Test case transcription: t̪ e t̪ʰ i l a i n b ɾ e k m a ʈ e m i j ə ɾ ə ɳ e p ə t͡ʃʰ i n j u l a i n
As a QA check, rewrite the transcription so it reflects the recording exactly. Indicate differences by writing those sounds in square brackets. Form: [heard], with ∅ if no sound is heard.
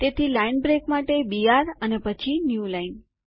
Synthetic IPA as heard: t̪ e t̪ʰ i l a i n b ɾ e k m a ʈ e [b] i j [a] ɾ ə [n] e p ə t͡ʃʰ i n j u l a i n